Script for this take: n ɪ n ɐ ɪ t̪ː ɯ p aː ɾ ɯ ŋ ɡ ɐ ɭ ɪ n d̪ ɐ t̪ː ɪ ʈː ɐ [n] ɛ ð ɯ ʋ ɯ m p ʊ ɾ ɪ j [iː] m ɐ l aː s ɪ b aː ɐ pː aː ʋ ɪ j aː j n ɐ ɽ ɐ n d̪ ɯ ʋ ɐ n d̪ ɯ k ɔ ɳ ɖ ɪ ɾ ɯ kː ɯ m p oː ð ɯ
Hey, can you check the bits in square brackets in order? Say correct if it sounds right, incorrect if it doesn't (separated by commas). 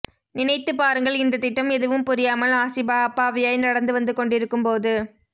incorrect, incorrect